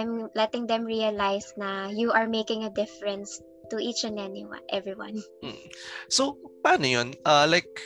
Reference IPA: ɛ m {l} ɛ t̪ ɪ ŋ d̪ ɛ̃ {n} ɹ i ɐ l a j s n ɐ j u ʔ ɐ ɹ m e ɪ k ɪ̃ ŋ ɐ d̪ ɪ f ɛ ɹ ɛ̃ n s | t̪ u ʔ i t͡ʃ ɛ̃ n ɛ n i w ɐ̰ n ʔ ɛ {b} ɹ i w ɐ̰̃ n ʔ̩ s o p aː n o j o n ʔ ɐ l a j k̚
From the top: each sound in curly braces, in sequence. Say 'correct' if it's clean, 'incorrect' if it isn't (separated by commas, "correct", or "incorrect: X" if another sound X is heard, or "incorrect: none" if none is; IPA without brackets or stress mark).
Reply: correct, incorrect: m, incorrect: v